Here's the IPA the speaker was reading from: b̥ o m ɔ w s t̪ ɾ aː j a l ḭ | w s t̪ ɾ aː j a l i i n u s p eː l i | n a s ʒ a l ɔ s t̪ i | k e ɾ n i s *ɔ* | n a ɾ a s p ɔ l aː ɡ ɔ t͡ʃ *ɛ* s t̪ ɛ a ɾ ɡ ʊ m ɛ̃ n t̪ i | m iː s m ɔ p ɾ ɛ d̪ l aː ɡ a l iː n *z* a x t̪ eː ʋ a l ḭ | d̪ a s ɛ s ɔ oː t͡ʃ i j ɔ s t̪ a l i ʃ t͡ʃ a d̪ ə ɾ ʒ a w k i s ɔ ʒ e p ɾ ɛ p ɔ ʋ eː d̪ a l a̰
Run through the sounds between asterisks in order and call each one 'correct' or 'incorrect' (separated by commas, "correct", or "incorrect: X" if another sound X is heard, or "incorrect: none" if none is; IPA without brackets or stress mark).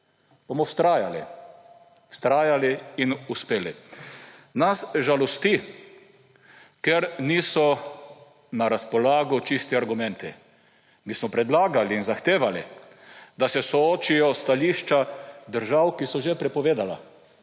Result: correct, incorrect: i, correct